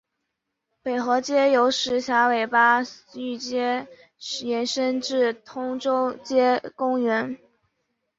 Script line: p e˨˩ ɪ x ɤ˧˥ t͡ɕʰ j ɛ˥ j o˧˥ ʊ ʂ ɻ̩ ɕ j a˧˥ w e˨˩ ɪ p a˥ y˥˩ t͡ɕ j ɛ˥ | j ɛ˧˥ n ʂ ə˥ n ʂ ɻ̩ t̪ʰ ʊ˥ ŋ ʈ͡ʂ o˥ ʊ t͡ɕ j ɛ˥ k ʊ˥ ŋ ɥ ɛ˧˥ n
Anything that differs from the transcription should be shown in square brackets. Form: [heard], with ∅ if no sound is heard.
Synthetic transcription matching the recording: p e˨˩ ɪ x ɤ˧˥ [t͡ɕ] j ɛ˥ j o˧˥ ʊ ʂ ɻ̩ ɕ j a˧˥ w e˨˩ ɪ p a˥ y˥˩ t͡ɕ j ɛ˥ | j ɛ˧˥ n ʂ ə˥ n [ʈ͡ʂ] ɻ̩ t̪ʰ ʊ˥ ŋ ʈ͡ʂ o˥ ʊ t͡ɕ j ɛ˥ k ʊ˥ ŋ ɥ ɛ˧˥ n

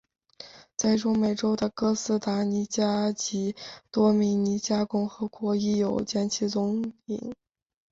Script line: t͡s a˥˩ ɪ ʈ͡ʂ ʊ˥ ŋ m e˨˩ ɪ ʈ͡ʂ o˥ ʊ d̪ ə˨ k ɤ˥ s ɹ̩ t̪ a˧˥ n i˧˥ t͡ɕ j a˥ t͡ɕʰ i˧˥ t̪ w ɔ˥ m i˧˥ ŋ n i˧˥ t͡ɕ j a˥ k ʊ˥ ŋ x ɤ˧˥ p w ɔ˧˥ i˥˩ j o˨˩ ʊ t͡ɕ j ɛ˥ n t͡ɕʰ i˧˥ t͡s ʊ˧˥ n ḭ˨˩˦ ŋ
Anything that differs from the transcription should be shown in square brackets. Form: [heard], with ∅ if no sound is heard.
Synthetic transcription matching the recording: t͡s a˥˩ ɪ ʈ͡ʂ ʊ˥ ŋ m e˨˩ ɪ ʈ͡ʂ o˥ ʊ d̪ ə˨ k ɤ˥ s ɹ̩ t̪ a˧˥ n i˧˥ t͡ɕ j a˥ [t͡ɕ] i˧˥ t̪ w ɔ˥ m i˧˥ ŋ n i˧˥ t͡ɕ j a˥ k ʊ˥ ŋ x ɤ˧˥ [k] w ɔ˧˥ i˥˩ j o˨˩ ʊ t͡ɕ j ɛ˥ n t͡ɕʰ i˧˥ t͡s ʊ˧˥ [ŋ] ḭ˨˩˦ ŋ

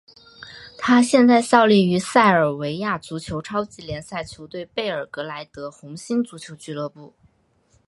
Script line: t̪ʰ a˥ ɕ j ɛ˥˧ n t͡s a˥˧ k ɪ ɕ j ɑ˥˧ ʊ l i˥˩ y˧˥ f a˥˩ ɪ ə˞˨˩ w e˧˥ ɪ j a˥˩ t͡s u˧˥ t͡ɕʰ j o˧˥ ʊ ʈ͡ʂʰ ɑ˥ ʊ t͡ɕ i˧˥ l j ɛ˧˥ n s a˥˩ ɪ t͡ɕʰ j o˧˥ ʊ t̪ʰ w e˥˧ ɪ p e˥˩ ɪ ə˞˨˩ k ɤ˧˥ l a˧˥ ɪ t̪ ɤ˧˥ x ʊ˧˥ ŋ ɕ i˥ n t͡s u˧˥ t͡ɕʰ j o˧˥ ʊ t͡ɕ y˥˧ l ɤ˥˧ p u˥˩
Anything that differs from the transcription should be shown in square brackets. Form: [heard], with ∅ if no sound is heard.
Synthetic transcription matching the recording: t̪ʰ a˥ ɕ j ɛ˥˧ n t͡s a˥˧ [∅] ɪ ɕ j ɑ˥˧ ʊ l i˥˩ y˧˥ [s] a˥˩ ɪ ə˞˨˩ w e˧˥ ɪ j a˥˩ t͡s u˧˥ t͡ɕʰ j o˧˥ ʊ ʈ͡ʂʰ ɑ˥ ʊ t͡ɕ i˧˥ l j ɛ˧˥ n s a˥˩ ɪ t͡ɕʰ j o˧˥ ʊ [t̪] w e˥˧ ɪ p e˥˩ ɪ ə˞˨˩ k ɤ˧˥ l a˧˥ ɪ t̪ ɤ˧˥ x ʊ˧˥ ŋ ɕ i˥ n t͡s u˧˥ t͡ɕʰ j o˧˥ ʊ t͡ɕ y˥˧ l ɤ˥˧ p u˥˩

